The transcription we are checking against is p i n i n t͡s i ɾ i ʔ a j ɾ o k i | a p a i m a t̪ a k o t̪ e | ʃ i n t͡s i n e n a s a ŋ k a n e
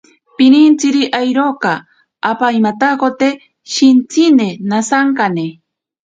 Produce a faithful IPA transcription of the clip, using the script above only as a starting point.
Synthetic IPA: p i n i n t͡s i ɾ i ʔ a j ɾ o k a | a p a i m a t̪ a k o t̪ e | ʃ i n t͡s i n e n a s a ŋ k a n e